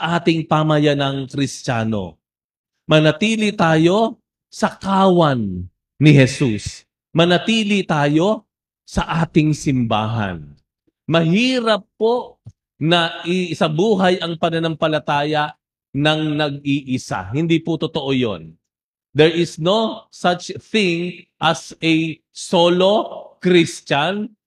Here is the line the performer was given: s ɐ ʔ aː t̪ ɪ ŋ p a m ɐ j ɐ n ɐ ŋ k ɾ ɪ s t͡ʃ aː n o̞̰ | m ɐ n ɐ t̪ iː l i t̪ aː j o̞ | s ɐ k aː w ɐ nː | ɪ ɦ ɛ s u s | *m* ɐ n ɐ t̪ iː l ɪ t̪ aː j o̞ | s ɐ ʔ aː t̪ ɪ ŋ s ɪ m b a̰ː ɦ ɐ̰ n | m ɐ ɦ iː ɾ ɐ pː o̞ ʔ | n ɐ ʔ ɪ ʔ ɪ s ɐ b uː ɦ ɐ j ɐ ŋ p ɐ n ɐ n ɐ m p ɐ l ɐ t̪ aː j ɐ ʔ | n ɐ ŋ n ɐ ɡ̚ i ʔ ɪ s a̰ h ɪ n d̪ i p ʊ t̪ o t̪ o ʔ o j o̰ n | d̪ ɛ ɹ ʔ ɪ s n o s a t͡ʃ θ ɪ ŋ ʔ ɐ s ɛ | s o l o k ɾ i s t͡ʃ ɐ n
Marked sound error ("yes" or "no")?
no